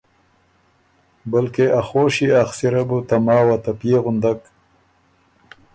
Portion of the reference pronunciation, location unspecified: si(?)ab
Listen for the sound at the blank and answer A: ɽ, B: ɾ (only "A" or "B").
B